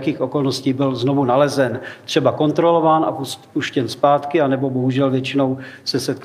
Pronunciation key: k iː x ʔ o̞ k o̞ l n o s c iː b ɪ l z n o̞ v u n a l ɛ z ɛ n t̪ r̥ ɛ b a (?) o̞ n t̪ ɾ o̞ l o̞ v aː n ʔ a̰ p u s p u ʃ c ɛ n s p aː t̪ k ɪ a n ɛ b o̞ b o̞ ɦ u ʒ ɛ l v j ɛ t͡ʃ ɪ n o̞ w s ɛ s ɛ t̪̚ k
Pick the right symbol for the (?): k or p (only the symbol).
k